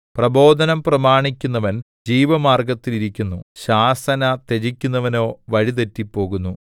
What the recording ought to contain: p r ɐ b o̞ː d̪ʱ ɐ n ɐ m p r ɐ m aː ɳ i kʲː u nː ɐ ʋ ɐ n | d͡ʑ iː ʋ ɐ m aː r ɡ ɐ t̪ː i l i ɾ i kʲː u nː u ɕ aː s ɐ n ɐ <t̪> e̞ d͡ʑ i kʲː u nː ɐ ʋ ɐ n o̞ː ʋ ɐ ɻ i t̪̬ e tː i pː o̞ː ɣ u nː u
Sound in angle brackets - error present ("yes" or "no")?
no